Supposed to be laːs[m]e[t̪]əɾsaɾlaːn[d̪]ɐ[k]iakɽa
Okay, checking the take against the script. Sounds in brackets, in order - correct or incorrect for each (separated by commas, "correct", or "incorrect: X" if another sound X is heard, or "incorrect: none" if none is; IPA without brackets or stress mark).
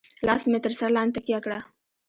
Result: correct, correct, incorrect: t̪, correct